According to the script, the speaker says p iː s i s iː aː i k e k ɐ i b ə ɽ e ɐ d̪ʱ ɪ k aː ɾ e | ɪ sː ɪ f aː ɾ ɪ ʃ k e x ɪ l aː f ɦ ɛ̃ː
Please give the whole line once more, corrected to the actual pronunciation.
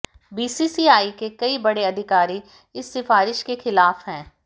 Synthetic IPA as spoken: b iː s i s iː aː i k e k ɐ i b ɐ ɽ e ɐ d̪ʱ ɪ k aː ɾ i | ɪ sː ɪ f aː ɾ ɪ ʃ k e x ɪ l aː f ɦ ɛ̃ː

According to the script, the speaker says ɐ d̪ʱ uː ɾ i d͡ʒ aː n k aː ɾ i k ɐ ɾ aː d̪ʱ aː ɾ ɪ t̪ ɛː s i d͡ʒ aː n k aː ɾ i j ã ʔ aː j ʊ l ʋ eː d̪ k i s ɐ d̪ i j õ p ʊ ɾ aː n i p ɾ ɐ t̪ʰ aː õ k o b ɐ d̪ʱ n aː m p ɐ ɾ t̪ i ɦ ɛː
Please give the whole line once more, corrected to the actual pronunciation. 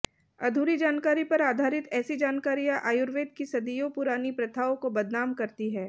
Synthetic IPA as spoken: ɐ d̪ʱ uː ɾ i d͡ʒ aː n k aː ɾ i p ɐ ɾ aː d̪ʱ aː ɾ ɪ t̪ ɛː s i d͡ʒ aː n k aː ɾ i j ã ʔ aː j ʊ ɾ ʋ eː d̪ k i s ɐ d̪ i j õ p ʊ ɾ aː n i p ɾ ɐ t̪ʰ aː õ k o b ɐ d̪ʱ n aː m k ɐ ɾ t̪ i ɦ ɛː

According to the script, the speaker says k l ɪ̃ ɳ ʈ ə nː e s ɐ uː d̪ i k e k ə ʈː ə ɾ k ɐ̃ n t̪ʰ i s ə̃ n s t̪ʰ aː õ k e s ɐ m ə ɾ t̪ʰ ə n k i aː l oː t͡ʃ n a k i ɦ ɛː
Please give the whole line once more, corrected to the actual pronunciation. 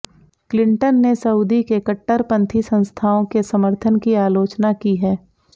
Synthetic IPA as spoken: k l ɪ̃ ɳ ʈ ə nː e s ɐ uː d̪ i k e k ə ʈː ə ɾ p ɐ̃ n t̪ʰ i s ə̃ n s t̪ʰ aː õ k e s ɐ m ə ɾ t̪ʰ ə n k i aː l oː t͡ʃ n a k i ɦ ɛː

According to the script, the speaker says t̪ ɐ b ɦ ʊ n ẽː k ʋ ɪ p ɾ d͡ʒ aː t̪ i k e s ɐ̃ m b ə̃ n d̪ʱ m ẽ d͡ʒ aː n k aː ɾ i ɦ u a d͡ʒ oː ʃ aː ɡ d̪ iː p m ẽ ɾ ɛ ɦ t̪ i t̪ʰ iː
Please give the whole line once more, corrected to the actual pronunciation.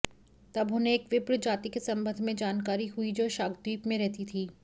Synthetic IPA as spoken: t̪ ɐ b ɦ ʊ n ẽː k ʋ ɪ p ɾ d͡ʒ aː t̪ i k e s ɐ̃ m b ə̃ n d̪ʱ m ẽ d͡ʒ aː n k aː ɾ i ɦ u i d͡ʒ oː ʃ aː ɡ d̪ iː p m ẽ ɾ ɛ ɦ t̪ i t̪ʰ iː

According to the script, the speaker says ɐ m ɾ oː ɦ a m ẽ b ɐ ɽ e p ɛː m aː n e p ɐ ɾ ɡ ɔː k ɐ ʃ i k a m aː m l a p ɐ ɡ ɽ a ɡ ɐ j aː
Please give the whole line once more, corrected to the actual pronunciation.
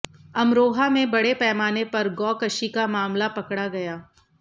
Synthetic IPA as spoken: ɐ m ɾ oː ɦ a m ẽ b ɐ ɽ e p ɛː m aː n e p ɐ ɾ ɡ ɔː k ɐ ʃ i k a m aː m l a p ɐ k ɽ a ɡ ɐ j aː

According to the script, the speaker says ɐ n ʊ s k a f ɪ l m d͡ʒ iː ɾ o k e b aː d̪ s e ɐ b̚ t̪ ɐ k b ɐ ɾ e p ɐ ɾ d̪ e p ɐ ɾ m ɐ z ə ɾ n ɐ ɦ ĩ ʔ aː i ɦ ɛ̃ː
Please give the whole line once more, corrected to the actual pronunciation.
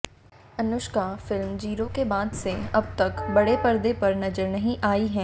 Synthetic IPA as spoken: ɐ n ʊ ʃ k a f ɪ l m d͡ʒ iː ɾ o k e b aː d̪ s e ɐ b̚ t̪ ɐ k b ɐ ɽ e p ɐ ɾ d̪ e p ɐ ɾ n ɐ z ə ɾ n ɐ ɦ ĩ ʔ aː i ɦ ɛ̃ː

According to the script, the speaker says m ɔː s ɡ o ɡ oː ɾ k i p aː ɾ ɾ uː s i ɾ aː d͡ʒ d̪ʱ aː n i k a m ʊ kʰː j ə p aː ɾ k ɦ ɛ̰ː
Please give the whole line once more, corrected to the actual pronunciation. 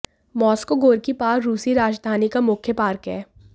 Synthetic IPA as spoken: m ɔː s k o ɡ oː ɾ k i p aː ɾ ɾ uː s i ɾ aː d͡ʒ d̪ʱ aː n i k a m ʊ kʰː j ə p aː ɾ k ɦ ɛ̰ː

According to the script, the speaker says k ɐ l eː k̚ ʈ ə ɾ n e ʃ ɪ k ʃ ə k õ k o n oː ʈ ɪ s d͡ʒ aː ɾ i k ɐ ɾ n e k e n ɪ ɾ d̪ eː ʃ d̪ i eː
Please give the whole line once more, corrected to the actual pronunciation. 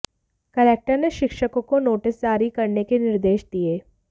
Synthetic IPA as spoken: k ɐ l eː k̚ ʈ ə ɾ n e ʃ ɪ k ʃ ə k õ k o n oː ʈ ɪ s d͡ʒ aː ɾ i k ɐ ɾ n e k e n ɪ ɾ d̪ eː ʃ d̪ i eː

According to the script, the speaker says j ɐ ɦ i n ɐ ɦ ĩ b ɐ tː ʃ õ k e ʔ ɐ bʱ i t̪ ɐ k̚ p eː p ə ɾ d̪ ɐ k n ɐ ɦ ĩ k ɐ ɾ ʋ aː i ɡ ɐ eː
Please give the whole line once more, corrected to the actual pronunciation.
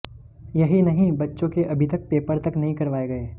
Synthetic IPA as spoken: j ɐ ɦ i n ɐ ɦ ĩ b ɐ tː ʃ õ k e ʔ ɐ bʱ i t̪ ɐ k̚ p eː p ə ɾ t̪ ɐ k n ɐ ɦ ĩ k ɐ ɾ ʋ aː e ɡ ɐ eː

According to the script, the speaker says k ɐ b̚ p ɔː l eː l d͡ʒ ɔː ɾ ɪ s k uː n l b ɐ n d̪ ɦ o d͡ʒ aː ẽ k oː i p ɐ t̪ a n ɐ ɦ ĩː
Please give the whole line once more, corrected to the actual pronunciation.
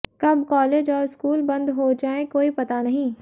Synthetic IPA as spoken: k ɐ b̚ k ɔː l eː d͡ʒ ɔː ɾ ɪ s k uː l b ɐ̃ n d̪ ɦ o d͡ʒ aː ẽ k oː i p ɐ t̪ a n ɐ ɦ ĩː

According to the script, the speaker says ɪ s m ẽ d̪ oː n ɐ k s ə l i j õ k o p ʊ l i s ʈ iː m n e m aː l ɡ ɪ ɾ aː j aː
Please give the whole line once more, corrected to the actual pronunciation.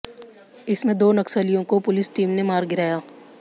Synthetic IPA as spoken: ɪ s m ẽ d̪ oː n ɐ k s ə l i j õ k o p ʊ l ɪ s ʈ iː m n e m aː ɾ ɡ ɪ ɾ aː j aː

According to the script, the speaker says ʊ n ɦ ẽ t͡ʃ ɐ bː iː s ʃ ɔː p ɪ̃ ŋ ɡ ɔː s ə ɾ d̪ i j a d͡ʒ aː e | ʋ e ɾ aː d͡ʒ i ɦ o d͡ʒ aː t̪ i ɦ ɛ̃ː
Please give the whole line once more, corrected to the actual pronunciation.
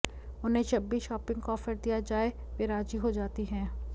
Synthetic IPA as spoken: ʊ n ɦ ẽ t͡ʃ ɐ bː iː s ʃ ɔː p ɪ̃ ŋ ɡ ɔː f ə ɾ d̪ i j a d͡ʒ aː e | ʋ e ɾ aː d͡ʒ i ɦ o d͡ʒ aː t̪ i ɦ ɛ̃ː

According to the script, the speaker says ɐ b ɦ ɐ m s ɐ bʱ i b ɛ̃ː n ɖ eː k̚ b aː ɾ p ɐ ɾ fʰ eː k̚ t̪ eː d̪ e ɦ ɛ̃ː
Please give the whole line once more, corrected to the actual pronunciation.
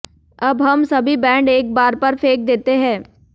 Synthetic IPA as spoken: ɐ b ɦ ɐ m s ɐ bʱ i b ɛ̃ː ɳ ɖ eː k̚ b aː ɾ p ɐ ɾ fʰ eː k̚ d̪ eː t̪ e ɦ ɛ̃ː

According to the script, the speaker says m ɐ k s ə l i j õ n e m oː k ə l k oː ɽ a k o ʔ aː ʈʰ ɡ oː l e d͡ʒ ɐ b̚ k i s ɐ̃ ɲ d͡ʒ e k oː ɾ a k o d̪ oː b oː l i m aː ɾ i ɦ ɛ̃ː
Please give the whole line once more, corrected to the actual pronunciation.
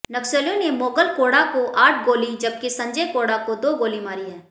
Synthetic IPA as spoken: n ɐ k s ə l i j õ n e m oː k ə l k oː ɽ a k o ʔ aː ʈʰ ɡ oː l i d͡ʒ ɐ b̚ k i s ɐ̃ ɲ d͡ʒ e k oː ɽ a k o d̪ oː ɡ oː l i m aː ɾ i ɦ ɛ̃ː

